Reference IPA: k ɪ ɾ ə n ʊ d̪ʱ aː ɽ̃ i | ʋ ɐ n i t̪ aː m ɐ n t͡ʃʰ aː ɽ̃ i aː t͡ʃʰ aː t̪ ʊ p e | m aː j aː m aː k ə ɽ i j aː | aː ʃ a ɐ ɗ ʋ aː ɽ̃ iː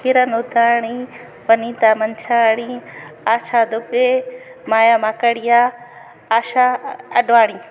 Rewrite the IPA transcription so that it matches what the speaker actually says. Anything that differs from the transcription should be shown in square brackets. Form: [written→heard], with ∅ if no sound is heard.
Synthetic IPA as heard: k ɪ ɾ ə n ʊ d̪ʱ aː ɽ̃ i | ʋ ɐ n i t̪ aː m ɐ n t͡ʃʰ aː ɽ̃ i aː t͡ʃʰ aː [t̪→d̪] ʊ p e | m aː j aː m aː k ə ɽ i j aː | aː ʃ a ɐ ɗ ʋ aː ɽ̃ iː